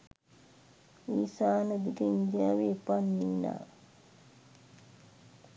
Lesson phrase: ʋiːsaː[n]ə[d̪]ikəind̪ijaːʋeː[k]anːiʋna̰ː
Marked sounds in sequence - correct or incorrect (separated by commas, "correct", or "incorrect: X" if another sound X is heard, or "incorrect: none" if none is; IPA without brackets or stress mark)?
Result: correct, correct, incorrect: p